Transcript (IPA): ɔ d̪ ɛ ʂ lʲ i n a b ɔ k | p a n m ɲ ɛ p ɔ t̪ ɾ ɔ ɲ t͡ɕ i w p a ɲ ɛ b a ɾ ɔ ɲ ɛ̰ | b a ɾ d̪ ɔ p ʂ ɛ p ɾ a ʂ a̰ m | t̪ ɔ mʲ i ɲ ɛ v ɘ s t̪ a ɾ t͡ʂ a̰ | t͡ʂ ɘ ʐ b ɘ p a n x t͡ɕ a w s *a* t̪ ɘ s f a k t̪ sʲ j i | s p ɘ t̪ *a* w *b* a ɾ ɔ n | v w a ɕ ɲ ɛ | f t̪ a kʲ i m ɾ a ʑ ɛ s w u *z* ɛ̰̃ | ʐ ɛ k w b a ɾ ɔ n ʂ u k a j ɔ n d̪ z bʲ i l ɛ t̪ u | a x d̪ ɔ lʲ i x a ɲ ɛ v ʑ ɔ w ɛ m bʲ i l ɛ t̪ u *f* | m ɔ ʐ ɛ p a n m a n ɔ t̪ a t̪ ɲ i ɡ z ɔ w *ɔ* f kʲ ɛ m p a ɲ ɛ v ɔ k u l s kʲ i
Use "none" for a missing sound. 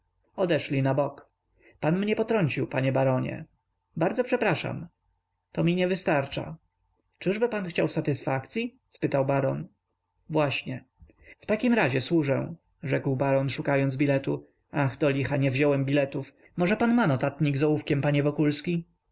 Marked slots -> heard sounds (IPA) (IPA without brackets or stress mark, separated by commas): a, a, b, ʐ, f, u